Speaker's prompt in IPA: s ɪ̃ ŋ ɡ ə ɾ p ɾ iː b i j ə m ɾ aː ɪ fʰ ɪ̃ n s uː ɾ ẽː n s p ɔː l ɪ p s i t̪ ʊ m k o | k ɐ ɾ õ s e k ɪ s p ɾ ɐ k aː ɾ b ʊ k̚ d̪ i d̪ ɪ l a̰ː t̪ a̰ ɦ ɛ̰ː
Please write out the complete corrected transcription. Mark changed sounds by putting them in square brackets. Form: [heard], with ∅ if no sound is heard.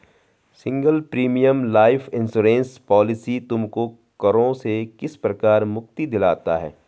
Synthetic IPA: s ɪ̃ ŋ ɡ ə [l] p ɾ iː [m] i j ə m [l] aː ɪ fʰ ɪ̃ n s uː ɾ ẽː n s p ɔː l ɪ [∅] s i t̪ ʊ m k o | k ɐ ɾ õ s e k ɪ s p ɾ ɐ k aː ɾ [m] ʊ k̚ [t̪] i d̪ ɪ l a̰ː t̪ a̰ ɦ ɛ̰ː